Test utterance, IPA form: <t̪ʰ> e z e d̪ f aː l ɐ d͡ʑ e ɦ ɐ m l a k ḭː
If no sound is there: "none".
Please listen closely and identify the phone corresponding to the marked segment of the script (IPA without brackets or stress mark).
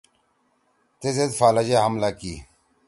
t̪